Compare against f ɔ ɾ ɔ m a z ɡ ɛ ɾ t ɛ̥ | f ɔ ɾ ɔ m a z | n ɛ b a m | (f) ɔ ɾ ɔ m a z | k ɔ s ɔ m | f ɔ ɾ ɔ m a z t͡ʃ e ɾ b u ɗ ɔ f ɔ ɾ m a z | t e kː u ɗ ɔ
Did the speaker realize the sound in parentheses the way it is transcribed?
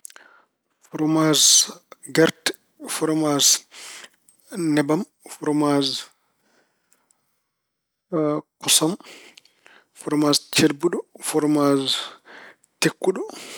yes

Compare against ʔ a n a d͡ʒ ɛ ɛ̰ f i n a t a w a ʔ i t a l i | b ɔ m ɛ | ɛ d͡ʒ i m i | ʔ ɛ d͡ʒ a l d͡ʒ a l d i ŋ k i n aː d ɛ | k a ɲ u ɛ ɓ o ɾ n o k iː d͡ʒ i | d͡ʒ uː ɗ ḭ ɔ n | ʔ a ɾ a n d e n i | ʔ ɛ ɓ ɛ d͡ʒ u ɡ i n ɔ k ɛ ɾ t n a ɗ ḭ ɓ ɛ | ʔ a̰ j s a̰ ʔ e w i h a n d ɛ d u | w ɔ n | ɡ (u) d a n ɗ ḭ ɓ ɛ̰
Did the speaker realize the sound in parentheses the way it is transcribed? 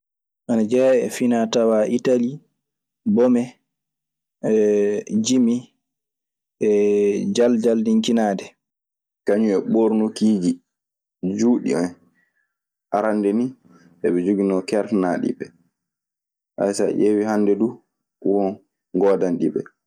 no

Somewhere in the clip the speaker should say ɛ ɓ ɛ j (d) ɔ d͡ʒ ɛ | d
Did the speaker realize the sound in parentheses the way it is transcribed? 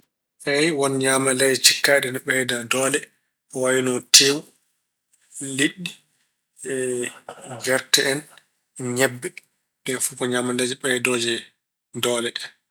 yes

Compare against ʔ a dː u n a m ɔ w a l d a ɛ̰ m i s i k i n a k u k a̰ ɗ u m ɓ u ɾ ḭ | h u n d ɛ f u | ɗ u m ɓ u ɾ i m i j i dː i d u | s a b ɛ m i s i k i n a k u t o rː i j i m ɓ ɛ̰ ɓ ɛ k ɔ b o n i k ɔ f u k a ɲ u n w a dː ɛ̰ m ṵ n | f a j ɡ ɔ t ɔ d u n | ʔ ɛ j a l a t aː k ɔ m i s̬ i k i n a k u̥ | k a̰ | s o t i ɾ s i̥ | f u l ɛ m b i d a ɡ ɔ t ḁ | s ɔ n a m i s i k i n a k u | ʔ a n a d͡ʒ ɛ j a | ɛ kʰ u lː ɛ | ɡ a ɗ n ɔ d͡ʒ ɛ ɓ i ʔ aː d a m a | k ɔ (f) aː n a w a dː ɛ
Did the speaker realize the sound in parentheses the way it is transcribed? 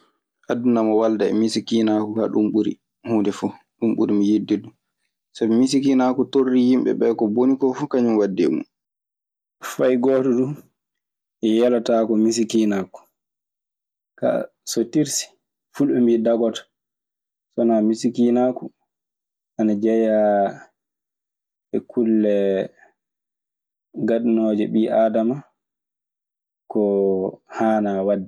no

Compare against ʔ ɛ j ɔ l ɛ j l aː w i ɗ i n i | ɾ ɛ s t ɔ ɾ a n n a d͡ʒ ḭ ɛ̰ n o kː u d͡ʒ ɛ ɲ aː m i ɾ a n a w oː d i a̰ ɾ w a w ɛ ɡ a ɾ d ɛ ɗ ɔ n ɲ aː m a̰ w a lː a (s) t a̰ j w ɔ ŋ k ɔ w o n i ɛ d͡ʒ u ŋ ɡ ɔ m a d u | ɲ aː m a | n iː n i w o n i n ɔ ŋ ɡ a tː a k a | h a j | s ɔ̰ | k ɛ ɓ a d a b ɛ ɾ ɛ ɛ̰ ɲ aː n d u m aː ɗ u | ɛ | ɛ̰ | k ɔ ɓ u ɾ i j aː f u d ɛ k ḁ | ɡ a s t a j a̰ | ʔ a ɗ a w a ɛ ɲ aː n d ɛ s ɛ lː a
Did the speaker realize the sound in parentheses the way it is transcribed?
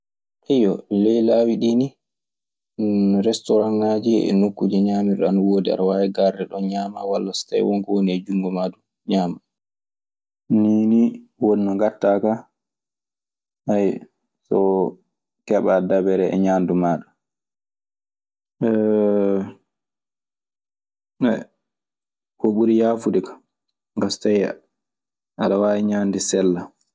yes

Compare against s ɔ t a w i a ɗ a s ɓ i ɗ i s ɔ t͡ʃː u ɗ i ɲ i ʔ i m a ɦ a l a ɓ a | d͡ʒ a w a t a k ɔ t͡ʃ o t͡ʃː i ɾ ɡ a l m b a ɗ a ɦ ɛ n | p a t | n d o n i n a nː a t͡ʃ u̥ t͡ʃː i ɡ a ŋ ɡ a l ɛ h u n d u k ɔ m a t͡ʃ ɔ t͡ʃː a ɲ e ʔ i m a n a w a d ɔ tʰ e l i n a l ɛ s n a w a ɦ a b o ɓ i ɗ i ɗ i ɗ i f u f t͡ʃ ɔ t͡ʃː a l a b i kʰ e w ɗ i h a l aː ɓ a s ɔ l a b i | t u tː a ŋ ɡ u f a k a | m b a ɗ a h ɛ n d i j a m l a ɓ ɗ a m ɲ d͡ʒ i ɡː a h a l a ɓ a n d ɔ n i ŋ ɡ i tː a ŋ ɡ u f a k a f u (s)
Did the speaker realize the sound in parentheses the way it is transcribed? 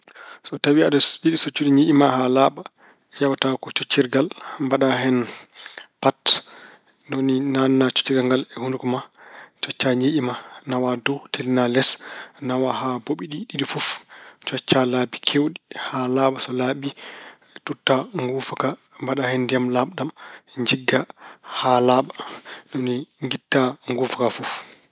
no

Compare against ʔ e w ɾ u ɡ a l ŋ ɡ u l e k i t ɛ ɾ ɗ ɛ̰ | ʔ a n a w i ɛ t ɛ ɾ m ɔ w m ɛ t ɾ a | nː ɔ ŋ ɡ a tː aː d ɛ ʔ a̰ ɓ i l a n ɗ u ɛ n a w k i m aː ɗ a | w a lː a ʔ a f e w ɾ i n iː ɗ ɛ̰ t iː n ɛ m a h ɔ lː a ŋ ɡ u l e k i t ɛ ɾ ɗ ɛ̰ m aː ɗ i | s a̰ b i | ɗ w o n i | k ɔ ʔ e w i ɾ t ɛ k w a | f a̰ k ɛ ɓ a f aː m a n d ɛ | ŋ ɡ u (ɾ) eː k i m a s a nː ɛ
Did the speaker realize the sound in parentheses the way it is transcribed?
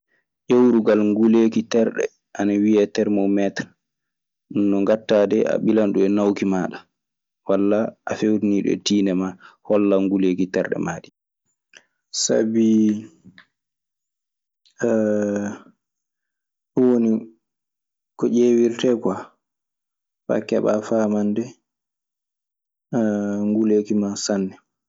no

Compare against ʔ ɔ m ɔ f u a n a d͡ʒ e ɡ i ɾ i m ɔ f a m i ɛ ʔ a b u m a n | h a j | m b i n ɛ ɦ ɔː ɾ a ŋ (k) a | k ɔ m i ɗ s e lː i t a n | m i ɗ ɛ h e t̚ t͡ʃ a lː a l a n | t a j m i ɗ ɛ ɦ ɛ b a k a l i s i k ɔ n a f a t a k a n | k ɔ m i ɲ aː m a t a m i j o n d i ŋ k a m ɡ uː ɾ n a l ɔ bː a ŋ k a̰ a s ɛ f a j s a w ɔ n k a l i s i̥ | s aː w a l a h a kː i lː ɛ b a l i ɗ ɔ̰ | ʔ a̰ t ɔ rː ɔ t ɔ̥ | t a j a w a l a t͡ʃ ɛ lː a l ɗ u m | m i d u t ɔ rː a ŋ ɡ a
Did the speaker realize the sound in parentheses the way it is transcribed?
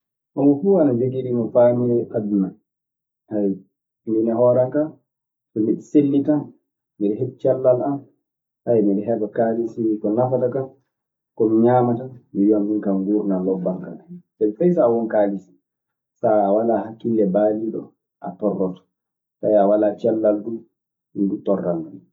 yes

